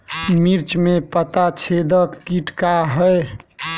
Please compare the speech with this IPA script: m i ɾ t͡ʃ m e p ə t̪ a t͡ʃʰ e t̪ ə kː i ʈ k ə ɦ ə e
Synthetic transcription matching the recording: m i ɾ t͡ʃ m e p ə t̪ a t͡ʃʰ e d̪ ə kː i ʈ k a ɦ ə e